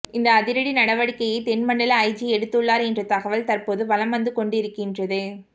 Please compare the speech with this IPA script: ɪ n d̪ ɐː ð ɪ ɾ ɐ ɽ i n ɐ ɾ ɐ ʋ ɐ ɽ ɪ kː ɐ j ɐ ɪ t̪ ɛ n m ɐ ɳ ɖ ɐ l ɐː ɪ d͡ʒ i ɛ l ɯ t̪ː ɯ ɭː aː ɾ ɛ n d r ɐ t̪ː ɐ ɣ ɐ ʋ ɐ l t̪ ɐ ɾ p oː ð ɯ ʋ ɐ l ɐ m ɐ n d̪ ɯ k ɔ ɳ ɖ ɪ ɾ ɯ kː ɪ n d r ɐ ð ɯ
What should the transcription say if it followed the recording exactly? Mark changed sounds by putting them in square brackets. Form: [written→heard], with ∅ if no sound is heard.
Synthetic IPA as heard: ɪ n d̪ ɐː ð ɪ ɾ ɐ ɽ i n ɐ [ɾ→ɽ] ɐ ʋ ɐ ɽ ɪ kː ɐ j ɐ ɪ t̪ ɛ n m ɐ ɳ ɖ ɐ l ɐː ɪ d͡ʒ i ɛ [l→ɽ] ɯ t̪ː ɯ ɭː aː ɾ ɛ n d r ɐ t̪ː ɐ ɣ ɐ ʋ ɐ l t̪ ɐ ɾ p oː ð ɯ ʋ ɐ l ɐ m ɐ n d̪ ɯ k ɔ ɳ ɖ ɪ ɾ ɯ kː ɪ n d r ɐ ð ɯ